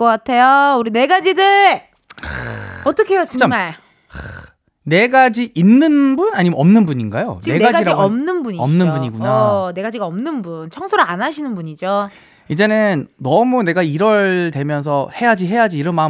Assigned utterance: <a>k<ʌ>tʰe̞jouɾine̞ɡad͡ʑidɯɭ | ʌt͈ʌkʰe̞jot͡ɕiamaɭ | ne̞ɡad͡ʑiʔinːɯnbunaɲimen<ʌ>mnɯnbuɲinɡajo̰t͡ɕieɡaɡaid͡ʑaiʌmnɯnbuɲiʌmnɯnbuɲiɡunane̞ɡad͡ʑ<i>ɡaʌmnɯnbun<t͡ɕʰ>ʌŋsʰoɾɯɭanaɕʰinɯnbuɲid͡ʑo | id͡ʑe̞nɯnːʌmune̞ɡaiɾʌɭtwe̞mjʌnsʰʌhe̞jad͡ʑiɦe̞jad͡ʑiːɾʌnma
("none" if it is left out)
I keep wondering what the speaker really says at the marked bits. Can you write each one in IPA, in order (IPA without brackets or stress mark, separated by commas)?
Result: ʌ, a, ʌ, i, t͡ɕʰ